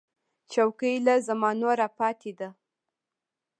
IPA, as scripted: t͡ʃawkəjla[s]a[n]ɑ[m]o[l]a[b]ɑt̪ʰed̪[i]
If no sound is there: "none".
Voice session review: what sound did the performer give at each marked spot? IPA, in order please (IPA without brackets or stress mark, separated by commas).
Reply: z, m, n, ɾ, p, a